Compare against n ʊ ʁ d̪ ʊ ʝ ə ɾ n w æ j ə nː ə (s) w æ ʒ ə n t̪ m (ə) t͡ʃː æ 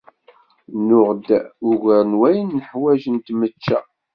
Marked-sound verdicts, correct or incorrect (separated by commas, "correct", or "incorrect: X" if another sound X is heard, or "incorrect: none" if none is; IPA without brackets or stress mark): incorrect: ħ, correct